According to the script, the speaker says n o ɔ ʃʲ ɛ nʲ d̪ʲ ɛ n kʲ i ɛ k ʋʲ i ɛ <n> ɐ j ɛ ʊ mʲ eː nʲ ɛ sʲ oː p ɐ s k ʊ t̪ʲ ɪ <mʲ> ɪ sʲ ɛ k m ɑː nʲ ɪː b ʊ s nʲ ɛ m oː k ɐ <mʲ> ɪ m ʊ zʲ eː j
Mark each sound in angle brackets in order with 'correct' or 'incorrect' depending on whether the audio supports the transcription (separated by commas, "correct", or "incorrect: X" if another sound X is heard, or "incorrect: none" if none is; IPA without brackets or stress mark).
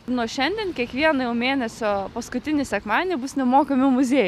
correct, incorrect: nʲ, correct